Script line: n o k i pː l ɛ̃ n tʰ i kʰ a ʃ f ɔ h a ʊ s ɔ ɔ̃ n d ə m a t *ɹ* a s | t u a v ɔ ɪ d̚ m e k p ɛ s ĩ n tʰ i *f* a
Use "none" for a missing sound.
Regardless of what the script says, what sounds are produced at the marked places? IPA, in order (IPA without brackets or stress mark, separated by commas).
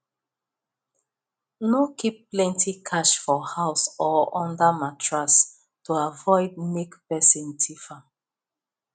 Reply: ɹ, f